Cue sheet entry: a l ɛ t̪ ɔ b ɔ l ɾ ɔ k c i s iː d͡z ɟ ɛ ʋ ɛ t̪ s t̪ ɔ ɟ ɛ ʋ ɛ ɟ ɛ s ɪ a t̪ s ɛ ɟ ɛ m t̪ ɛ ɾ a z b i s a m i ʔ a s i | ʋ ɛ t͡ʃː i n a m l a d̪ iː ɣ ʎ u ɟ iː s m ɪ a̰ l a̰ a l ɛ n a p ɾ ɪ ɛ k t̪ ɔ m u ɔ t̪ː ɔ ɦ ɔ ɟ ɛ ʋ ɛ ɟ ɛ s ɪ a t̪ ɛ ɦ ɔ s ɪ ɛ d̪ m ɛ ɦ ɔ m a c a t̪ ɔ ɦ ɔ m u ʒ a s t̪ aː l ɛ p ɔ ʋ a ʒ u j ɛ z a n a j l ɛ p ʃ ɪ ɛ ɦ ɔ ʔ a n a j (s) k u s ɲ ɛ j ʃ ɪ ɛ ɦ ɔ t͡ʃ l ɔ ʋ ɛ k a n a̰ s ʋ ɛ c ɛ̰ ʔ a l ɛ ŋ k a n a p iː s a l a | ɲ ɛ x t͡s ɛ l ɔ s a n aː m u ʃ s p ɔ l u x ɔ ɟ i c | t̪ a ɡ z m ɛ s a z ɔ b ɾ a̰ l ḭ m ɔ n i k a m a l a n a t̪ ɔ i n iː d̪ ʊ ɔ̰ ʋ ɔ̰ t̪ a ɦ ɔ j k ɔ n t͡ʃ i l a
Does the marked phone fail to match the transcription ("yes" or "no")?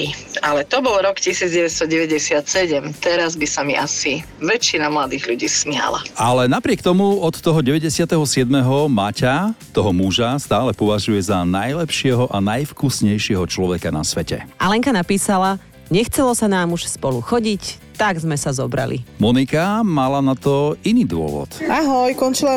yes